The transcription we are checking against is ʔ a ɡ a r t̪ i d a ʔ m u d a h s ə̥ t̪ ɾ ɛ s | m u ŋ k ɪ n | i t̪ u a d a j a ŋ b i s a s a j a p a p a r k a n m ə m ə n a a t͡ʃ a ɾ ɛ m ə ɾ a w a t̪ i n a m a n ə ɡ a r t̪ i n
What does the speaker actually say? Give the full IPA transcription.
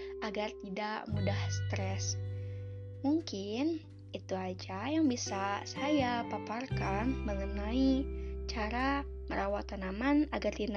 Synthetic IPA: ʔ a ɡ a r t̪ i d a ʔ m u d a h s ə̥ t̪ ɾ ɛ s | m u ŋ k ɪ n | i t̪ u a d͡ʒ a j a ŋ b i s a s a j a p a p a r k a n m ə ŋ ə n a i t͡ʃ a ɾ a m ə ɾ a w a t̪ a n a m a n a ɡ a r t̪ i n